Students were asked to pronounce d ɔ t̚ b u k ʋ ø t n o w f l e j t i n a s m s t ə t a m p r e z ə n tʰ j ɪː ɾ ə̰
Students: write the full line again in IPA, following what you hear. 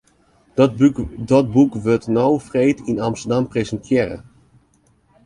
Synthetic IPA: d ɔ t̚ b u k ʋ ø t n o w f r e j t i n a m s t ə d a m p r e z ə n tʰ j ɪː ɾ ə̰